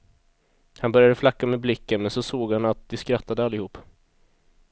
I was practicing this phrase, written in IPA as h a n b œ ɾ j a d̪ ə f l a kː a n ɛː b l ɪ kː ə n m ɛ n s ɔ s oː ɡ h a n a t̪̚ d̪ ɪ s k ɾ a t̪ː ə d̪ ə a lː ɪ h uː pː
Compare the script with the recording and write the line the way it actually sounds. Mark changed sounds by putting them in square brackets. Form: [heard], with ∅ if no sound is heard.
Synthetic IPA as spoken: h a n b œ ɾ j a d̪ ə f l a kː a [m] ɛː b l ɪ kː ə n m ɛ n s ɔ s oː ɡ h a n a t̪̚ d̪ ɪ s k ɾ a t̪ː [a] d̪ ə a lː ɪ h uː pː